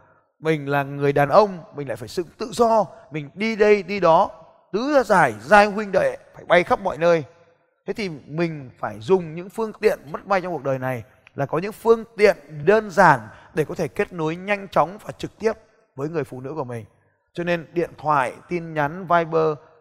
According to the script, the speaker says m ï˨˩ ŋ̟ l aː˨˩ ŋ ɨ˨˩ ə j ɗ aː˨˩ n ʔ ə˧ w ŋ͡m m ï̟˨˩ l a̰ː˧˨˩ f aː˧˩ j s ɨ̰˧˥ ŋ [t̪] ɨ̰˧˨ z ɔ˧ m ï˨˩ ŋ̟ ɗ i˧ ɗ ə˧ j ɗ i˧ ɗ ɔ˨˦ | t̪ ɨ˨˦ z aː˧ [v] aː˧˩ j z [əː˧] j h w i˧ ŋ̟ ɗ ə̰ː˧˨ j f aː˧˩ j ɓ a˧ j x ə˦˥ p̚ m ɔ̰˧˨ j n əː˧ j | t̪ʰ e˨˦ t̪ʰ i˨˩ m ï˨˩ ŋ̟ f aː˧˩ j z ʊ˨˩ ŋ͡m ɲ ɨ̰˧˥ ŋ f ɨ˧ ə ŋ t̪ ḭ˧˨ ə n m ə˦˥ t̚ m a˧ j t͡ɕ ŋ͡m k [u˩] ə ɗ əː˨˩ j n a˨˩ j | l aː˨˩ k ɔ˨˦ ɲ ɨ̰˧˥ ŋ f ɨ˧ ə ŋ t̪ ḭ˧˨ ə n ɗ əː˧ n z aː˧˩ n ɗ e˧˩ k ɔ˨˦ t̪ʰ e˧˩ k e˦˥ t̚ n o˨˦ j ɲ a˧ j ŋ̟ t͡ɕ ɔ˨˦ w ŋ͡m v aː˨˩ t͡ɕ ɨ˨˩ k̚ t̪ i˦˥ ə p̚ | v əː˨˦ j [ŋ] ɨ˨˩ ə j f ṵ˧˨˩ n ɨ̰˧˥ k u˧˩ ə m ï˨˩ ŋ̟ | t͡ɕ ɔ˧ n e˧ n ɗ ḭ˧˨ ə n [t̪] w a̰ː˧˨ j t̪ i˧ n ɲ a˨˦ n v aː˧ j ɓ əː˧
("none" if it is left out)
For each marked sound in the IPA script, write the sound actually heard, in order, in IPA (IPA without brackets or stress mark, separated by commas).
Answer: t̪, z, aː˧, u˩, ŋ, t̪ʰ